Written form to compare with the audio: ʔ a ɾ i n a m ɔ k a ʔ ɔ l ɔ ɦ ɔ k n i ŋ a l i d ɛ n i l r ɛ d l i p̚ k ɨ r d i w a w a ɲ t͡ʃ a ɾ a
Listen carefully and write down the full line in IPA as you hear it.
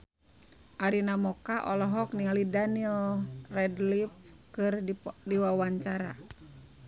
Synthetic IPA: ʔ a ɾ i n a m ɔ k a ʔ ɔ l ɔ ɦ ɔ k n i ŋ a l i d a n i l r ɛ d l i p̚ k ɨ r d i w a w a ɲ t͡ʃ a ɾ a